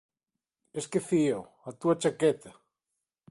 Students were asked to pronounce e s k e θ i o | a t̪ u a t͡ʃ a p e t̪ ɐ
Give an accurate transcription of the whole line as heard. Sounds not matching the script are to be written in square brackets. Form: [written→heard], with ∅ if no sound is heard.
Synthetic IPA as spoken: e s k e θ i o | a t̪ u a t͡ʃ a [p→k] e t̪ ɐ